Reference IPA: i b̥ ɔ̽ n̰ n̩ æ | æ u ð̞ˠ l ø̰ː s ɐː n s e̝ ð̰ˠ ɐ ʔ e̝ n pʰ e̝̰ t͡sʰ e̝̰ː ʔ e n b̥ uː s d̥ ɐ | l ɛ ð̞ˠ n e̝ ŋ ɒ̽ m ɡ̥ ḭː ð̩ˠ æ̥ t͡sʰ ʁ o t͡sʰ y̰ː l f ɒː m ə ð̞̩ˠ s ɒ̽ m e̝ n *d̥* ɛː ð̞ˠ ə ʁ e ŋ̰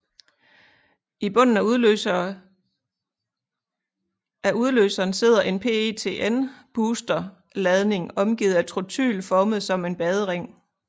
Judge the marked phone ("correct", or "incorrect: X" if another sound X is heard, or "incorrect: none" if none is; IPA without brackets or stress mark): incorrect: b̥